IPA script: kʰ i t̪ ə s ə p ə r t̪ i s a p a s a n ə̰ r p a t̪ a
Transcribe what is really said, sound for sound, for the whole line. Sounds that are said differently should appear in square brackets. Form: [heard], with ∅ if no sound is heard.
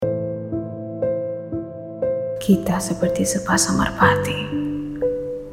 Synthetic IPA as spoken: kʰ i t̪ [a] s ə p ə r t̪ i s [ə] p a s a [ŋ] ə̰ r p a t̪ [i]